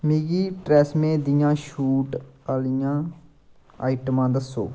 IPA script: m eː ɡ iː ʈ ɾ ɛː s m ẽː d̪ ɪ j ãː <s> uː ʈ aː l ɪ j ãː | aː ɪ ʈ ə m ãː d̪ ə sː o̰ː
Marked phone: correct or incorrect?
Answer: incorrect